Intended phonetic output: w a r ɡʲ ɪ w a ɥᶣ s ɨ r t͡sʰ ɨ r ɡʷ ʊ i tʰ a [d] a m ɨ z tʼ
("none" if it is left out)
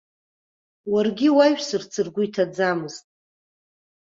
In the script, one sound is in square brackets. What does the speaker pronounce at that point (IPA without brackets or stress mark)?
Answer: d͡z